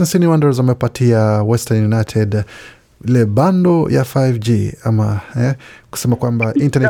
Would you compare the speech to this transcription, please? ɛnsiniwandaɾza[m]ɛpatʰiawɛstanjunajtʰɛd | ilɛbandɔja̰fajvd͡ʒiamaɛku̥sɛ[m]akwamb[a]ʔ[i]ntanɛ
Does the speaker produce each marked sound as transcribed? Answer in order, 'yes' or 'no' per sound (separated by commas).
yes, yes, yes, yes